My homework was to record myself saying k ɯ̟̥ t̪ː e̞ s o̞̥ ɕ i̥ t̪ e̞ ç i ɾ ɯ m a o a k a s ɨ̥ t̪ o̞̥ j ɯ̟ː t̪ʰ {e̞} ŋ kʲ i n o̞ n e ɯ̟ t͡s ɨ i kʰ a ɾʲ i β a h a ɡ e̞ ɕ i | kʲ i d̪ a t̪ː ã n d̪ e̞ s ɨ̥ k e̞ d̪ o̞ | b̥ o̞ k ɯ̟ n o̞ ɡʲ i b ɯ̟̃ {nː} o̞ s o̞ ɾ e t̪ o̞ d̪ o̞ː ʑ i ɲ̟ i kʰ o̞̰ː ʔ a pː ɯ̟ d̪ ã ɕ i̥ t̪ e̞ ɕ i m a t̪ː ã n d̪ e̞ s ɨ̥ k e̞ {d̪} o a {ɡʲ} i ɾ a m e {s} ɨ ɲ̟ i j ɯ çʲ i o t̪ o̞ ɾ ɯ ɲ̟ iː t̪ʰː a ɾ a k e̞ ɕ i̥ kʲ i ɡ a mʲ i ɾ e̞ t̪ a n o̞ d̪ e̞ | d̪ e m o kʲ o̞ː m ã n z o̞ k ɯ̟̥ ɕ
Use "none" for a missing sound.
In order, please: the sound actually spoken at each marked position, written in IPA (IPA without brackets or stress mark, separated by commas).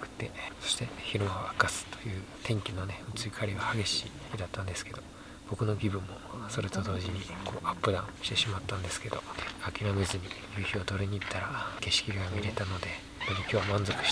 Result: ẽ̞, mː, d̪, kʲ, z